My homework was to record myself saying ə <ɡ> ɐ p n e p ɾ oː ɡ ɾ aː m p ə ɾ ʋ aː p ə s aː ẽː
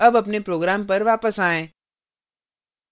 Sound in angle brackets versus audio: incorrect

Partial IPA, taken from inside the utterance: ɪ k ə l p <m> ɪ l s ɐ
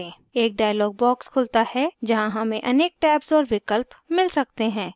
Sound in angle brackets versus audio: correct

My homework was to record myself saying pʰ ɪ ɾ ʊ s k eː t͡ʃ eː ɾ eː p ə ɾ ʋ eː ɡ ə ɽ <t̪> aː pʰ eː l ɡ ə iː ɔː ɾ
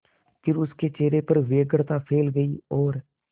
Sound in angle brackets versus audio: correct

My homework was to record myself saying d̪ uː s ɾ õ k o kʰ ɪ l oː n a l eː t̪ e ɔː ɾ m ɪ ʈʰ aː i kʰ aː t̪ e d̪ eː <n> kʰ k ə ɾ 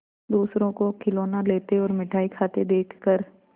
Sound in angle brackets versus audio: incorrect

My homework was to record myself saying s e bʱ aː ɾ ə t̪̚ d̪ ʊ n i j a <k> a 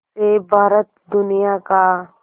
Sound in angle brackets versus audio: correct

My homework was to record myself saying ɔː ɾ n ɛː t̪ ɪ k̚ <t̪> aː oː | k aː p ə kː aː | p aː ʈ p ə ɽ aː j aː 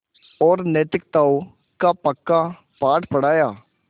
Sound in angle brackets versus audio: correct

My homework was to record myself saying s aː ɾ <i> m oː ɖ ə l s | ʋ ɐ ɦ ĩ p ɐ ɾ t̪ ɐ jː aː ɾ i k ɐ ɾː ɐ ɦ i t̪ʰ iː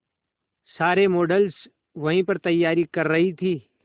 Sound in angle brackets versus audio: incorrect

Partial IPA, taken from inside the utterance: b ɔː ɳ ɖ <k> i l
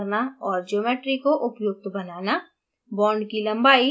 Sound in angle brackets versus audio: correct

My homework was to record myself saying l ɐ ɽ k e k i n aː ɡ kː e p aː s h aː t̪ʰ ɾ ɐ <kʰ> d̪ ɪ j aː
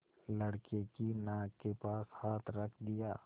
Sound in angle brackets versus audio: correct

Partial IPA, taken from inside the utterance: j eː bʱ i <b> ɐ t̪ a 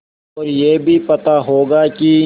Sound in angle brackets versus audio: incorrect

